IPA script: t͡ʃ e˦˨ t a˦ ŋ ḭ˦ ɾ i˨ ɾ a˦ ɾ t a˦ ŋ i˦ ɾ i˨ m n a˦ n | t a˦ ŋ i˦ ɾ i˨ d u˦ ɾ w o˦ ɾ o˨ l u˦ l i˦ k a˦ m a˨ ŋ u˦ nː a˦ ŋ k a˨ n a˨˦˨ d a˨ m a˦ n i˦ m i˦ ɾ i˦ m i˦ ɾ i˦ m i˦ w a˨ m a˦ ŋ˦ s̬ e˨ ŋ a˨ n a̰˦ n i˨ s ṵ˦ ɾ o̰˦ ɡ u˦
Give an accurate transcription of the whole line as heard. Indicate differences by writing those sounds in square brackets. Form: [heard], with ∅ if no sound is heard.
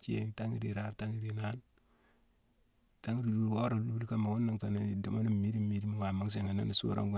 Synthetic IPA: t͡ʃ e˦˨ t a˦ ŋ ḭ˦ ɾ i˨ ɾ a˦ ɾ t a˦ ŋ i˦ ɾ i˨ [∅] n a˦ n | t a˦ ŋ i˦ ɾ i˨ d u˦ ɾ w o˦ ɾ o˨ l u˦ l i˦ k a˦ m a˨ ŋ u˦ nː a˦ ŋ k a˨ n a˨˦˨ d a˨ m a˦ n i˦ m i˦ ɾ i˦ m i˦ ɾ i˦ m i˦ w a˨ m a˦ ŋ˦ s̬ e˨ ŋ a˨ n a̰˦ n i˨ s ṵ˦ ɾ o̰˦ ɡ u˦